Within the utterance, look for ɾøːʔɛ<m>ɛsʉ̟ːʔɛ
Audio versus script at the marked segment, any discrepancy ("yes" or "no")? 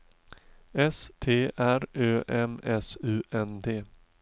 no